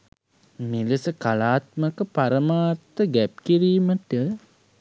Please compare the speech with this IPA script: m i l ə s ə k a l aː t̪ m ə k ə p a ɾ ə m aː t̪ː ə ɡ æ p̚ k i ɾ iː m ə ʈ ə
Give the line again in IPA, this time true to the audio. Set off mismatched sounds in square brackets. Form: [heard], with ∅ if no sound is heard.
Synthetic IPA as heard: m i l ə s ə k a l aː t̪ m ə k ə p a ɾ ə m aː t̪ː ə ɡ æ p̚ k i ɾ iː m ə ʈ ə